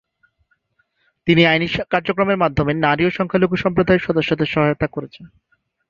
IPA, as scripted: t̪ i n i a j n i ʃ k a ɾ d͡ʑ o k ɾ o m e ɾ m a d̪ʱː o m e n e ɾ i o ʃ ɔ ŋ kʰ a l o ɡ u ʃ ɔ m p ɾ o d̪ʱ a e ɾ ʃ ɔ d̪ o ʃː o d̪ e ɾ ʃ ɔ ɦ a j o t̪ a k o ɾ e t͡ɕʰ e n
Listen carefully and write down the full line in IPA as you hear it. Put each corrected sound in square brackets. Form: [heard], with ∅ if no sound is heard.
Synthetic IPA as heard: t̪ i n i a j n i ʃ k a ɾ d͡ʑ o k ɾ o m e ɾ m a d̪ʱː o m e n [a] ɾ i o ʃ ɔ ŋ kʰ a l o ɡ u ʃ ɔ m p ɾ o d̪ʱ a e ɾ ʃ ɔ d̪ o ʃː o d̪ e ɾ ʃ ɔ ɦ a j o t̪ a k o ɾ e t͡ɕʰ e n